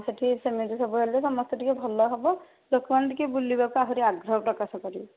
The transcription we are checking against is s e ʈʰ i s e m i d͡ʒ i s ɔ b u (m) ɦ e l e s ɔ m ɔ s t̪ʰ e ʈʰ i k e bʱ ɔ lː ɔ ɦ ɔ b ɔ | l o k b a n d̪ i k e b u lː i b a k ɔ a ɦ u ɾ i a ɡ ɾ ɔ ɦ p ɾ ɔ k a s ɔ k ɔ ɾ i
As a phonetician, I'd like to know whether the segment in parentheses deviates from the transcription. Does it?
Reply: yes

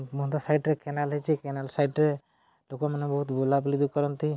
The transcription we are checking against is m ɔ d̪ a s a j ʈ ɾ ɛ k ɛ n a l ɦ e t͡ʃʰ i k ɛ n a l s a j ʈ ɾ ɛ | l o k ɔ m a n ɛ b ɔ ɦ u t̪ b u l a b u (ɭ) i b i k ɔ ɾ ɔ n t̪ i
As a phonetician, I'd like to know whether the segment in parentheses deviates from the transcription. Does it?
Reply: yes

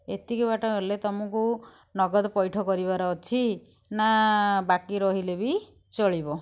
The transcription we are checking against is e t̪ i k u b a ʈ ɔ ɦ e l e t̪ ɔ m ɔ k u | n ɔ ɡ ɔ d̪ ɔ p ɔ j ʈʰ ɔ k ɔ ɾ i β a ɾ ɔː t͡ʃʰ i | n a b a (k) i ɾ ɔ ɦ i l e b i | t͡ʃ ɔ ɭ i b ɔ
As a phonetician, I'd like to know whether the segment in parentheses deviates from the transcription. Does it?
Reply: no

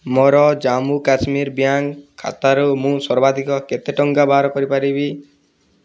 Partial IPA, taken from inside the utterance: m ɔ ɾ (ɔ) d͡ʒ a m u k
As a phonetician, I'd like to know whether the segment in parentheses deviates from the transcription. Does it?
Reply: no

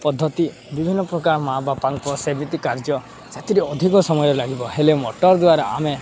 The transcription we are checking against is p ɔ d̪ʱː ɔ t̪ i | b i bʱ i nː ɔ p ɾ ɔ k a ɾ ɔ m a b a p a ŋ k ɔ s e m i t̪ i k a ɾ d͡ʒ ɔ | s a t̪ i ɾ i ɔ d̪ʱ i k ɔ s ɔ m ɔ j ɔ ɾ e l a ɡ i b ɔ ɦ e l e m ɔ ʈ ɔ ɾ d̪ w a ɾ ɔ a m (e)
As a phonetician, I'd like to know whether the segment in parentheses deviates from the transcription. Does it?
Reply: no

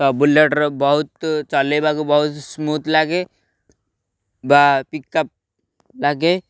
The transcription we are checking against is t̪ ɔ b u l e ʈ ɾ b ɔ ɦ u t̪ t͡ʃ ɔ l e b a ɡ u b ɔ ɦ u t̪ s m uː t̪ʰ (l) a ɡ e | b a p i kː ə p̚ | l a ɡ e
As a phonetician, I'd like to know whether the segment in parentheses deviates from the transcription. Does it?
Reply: no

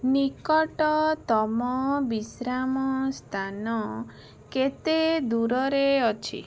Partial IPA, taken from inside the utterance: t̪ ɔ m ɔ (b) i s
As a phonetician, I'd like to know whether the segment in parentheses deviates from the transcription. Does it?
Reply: no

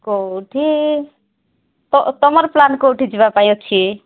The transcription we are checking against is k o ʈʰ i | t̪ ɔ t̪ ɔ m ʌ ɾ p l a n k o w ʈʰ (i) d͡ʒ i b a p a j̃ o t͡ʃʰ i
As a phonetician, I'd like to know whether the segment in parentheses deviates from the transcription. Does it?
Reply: no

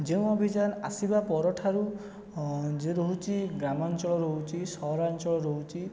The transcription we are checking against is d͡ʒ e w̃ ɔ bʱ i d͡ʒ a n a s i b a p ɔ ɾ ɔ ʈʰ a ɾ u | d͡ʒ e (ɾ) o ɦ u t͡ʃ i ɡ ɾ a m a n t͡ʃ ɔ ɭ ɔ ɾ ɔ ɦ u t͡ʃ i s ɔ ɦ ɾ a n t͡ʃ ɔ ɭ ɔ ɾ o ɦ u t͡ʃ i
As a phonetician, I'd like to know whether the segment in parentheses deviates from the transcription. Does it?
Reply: no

